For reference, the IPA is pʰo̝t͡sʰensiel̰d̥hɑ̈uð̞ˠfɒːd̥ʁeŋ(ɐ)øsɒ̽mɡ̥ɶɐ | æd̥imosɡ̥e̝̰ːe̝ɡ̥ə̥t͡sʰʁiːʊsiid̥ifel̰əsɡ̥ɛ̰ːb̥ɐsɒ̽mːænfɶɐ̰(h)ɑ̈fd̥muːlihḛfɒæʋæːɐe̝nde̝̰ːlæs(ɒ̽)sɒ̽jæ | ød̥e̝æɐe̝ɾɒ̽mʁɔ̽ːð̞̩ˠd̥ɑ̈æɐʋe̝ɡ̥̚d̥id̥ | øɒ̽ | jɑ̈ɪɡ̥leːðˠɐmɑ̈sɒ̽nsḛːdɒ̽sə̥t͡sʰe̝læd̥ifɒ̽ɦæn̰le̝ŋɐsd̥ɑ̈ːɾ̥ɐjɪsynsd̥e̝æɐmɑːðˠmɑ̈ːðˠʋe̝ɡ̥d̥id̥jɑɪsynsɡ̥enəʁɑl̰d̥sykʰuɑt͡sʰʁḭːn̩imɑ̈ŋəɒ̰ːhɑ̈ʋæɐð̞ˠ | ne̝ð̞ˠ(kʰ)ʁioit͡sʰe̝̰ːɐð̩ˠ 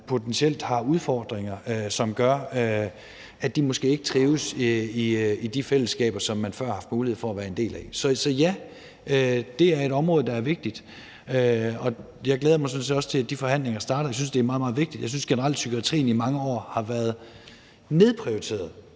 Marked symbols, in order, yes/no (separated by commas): yes, yes, yes, no